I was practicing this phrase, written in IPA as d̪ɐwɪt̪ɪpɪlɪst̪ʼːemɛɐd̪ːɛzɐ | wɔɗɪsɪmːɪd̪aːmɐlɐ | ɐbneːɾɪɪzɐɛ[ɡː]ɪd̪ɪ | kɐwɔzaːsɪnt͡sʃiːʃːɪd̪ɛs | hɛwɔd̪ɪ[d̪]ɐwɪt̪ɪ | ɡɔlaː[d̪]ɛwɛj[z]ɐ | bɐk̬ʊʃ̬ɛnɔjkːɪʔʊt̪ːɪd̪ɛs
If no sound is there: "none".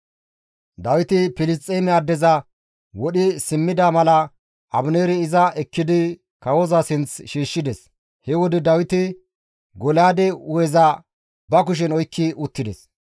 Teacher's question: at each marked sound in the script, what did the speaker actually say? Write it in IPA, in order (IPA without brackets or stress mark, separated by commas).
kː, d̪, d̪, z